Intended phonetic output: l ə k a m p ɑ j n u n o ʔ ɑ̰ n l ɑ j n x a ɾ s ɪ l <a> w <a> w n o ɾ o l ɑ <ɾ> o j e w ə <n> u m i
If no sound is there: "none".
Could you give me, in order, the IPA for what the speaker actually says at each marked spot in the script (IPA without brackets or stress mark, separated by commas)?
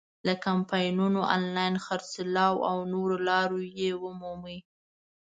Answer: ɑ, a, ɾ, m